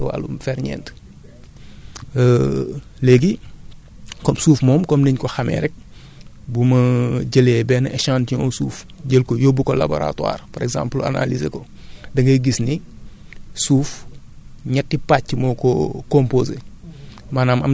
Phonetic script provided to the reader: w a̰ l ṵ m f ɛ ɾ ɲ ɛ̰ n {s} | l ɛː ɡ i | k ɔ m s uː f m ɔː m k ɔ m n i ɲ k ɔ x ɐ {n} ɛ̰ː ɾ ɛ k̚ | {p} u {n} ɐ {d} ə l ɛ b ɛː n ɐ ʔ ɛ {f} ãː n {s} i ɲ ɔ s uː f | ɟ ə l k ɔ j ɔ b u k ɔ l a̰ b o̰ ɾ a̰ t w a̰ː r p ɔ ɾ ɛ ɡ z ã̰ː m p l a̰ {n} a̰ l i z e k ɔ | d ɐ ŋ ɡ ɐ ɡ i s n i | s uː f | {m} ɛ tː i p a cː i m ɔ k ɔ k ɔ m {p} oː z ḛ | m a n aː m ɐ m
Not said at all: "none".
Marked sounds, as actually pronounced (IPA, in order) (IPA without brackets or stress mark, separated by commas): t, m, b, m, ɟ, ʃ, t, n, ɲ, p